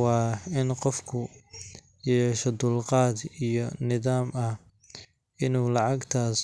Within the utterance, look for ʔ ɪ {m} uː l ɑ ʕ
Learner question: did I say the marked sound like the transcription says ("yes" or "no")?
no